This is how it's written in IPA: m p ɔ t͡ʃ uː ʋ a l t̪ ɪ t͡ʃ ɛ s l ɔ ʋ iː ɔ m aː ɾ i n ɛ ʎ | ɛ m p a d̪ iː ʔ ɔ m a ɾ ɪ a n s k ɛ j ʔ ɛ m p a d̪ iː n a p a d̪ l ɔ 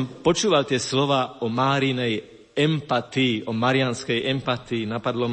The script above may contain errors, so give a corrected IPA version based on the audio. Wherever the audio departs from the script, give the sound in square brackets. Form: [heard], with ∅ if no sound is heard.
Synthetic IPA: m p ɔ t͡ʃ uː ʋ a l t̪ ɪ [∅] ɛ s l ɔ ʋ [aː] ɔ m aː ɾ i n ɛ [j] | ɛ m p a [t̪] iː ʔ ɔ m a ɾ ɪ a n s k ɛ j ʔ ɛ m p a [t̪] iː n a p a d̪ l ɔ